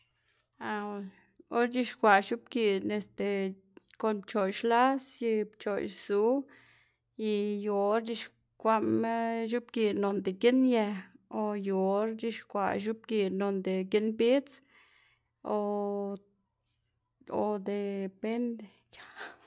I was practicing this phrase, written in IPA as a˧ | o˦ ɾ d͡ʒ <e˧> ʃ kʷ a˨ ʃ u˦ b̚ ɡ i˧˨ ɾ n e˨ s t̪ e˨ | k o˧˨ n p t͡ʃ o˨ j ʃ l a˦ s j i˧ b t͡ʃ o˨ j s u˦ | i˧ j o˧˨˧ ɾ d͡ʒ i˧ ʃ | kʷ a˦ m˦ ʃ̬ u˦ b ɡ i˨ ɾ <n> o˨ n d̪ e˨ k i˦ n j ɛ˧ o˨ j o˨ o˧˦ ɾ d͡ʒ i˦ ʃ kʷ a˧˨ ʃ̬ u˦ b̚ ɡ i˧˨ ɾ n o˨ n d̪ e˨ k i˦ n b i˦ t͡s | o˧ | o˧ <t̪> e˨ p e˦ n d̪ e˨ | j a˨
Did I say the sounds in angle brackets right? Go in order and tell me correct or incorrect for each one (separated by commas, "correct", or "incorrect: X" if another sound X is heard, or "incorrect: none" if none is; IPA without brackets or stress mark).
incorrect: i˧, correct, incorrect: d̪